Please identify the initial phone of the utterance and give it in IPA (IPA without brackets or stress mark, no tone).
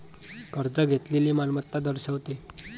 k